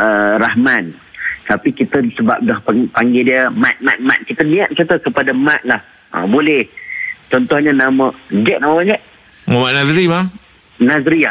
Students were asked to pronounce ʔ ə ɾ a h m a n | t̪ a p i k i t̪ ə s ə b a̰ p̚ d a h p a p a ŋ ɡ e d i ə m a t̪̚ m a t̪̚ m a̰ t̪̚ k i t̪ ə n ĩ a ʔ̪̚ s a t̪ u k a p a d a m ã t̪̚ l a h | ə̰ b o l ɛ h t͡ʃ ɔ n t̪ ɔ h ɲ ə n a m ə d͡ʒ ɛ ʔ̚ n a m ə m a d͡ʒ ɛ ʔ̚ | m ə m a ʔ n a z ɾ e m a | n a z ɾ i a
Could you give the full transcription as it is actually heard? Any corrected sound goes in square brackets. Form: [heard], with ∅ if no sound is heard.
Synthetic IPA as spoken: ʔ ə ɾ a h m a n | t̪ a p i k i t̪ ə s ə b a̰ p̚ d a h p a p a ŋ ɡ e d i ə m a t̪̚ m a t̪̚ m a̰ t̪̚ k i t̪ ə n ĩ a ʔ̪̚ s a t̪ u k [ə] p a d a m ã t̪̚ l a h | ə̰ b o l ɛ h t͡ʃ ɔ n t̪ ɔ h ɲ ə n a m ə d͡ʒ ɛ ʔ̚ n a m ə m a d͡ʒ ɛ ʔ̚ | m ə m a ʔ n a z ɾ [i] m a | n a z ɾ i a